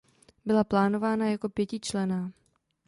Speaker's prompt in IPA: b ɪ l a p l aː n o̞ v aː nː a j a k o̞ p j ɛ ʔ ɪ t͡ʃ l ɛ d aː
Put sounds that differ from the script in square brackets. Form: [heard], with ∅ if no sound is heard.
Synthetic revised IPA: b ɪ l a p l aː n o̞ v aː [n] a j a k o̞ p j ɛ [c] ɪ t͡ʃ l ɛ [n] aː